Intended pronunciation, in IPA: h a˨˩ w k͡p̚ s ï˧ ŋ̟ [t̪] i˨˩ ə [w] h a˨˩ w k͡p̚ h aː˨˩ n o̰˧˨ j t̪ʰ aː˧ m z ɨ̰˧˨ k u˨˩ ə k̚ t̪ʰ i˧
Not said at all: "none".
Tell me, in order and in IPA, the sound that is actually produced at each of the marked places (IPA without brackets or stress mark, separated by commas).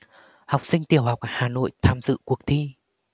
t̪, w